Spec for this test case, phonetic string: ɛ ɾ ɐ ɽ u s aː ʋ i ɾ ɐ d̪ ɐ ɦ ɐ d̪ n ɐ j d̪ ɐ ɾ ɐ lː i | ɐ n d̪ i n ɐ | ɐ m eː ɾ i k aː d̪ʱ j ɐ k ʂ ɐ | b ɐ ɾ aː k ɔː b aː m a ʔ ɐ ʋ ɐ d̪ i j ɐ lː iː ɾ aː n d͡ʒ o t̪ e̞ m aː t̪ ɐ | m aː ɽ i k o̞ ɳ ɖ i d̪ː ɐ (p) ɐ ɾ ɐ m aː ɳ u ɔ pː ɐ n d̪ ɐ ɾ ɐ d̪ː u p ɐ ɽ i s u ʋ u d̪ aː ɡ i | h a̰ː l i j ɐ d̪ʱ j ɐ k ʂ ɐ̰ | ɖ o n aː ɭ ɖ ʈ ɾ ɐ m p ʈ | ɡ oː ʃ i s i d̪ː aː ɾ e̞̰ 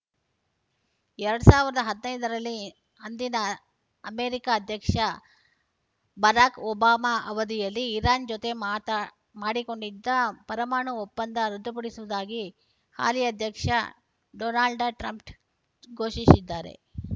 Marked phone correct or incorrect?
correct